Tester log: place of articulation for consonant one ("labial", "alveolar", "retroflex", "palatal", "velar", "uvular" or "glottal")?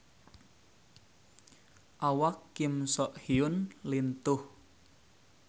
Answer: glottal